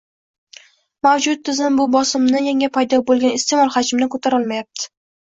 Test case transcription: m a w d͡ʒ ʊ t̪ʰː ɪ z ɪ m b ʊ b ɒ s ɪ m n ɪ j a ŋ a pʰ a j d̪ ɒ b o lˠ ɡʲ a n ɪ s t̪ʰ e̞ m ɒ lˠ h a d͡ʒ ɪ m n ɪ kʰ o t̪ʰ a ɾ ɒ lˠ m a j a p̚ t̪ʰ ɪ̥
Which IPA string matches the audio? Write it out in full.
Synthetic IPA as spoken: m a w d͡ʒ ʊ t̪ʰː ɪ z ɪ m b ʊ b ɒ s ɪ m n ɪ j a ŋ a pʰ a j d̪ ɒ b o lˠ ɡʲ a n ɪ s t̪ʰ e̞ m ɒ lˠ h a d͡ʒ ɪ m n ɪ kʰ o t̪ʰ a ɾ ɒ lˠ m a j a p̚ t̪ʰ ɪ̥